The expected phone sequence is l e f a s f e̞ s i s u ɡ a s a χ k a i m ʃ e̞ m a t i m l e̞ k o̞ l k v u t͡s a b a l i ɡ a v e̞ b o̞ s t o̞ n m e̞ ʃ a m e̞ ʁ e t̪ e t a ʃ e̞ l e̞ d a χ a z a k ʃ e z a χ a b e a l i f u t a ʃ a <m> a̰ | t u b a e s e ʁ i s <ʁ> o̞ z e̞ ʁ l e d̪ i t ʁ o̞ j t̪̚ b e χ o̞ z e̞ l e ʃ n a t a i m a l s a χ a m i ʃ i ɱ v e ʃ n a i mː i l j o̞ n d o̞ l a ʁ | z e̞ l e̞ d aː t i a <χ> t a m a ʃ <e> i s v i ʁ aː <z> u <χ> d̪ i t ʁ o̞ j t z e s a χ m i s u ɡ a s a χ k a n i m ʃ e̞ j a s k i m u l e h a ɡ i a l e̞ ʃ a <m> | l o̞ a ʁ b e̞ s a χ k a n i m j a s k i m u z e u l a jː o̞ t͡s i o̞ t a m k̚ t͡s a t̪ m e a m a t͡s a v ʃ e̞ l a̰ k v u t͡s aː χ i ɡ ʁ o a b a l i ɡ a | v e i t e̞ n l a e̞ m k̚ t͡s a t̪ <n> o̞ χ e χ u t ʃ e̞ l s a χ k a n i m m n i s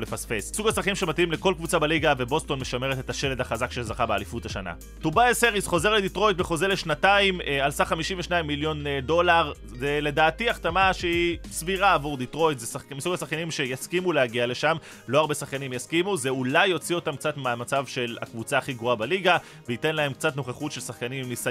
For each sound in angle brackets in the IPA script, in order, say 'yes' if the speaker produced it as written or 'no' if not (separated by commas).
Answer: no, no, yes, yes, no, no, yes, yes